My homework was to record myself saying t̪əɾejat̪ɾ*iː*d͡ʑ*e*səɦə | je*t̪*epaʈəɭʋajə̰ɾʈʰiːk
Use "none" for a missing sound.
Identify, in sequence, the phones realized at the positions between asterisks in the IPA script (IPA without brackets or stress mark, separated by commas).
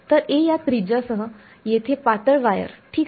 i, a, t̪ʰ